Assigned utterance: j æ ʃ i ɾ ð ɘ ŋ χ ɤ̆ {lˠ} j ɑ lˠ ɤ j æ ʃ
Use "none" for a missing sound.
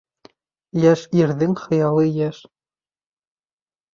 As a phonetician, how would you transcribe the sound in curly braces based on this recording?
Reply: none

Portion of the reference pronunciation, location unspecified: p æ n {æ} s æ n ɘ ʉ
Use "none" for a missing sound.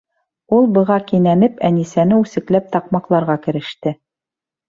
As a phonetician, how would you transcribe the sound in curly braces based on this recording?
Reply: i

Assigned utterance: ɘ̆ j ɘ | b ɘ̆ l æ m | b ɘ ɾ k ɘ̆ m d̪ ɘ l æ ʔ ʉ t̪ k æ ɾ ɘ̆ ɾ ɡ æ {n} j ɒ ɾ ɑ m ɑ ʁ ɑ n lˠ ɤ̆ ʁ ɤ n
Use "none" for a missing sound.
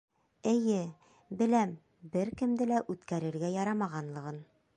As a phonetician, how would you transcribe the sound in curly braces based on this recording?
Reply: none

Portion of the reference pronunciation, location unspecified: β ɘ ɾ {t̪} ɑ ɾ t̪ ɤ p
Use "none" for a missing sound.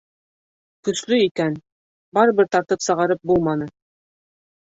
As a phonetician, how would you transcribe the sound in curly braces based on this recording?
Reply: t̪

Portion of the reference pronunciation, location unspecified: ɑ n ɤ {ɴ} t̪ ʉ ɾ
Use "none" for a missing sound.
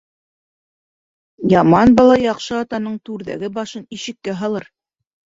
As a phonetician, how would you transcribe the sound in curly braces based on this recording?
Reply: ɴ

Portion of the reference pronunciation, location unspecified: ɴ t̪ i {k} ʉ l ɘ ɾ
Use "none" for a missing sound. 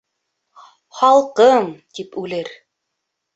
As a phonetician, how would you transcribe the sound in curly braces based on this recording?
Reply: p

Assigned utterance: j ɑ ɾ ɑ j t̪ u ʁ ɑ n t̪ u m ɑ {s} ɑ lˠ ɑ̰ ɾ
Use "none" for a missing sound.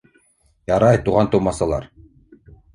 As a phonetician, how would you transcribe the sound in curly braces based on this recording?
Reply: s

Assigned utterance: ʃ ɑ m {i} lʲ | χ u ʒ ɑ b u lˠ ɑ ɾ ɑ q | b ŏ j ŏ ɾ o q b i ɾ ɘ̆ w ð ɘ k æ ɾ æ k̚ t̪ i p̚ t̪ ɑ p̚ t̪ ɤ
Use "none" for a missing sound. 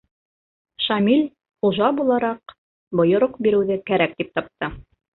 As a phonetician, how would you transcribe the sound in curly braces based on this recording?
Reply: i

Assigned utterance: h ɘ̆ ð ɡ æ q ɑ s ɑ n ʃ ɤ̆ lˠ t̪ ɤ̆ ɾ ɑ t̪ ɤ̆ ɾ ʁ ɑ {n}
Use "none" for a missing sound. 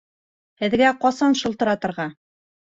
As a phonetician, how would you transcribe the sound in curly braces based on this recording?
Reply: none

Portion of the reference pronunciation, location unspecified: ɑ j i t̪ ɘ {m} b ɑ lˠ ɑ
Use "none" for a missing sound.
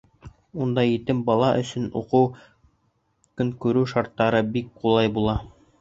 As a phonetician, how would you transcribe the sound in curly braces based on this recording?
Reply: m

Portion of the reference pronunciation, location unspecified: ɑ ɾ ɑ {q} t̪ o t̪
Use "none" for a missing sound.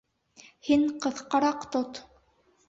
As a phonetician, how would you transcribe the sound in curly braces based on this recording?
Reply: q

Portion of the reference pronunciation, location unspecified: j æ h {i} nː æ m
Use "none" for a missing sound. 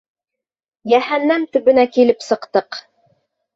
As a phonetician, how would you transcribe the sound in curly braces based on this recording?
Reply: æ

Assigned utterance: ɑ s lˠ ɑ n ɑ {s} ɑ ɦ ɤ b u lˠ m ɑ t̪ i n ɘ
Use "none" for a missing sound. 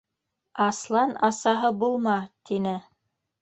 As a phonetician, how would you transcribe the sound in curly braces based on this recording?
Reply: s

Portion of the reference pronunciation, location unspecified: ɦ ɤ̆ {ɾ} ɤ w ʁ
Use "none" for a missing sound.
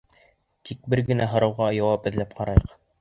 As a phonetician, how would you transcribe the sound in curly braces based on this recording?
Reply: ɾ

